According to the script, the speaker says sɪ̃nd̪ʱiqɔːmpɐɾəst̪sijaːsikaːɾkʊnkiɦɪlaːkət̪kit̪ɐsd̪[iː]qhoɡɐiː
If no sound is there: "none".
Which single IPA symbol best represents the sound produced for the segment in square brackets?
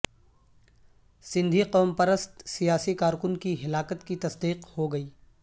iː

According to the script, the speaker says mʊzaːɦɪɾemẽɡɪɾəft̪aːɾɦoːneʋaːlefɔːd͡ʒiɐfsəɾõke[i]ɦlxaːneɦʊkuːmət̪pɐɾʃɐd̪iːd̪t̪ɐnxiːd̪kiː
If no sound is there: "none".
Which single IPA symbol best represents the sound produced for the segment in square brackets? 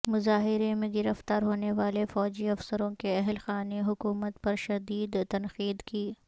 ɛ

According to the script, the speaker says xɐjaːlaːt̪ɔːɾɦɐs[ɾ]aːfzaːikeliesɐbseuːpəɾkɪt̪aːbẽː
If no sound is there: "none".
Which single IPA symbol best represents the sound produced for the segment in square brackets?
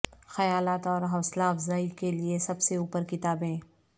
l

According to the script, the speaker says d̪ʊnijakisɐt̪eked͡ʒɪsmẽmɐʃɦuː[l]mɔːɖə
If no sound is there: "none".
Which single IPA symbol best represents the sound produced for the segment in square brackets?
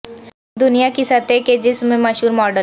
ɾ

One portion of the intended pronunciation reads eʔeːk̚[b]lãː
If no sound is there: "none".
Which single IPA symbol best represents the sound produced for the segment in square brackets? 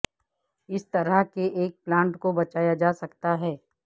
p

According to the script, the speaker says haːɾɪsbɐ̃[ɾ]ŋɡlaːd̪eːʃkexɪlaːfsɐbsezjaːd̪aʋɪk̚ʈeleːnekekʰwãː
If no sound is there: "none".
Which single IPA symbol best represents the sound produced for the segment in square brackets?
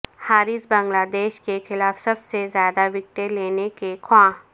none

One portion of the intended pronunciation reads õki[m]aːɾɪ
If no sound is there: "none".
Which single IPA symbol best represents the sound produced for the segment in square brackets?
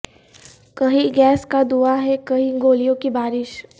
b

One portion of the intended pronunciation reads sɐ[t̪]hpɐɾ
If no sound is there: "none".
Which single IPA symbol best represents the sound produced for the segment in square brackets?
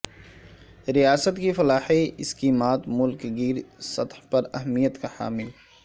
t̪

